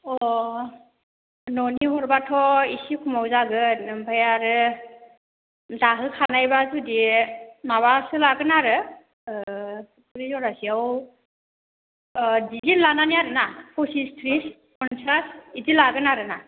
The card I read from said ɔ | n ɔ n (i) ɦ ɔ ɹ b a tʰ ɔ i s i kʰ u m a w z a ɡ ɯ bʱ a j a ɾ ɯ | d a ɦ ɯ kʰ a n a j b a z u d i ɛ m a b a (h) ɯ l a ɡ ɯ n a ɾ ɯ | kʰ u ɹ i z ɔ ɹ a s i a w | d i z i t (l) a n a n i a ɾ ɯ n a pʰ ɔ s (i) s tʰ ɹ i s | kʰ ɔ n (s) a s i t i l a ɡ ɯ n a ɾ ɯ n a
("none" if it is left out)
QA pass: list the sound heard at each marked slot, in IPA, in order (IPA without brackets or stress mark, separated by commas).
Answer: i, s, l, i, s